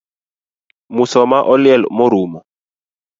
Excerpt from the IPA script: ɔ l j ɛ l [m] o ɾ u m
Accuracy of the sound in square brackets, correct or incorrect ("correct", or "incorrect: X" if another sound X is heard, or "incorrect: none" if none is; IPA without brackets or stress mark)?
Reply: correct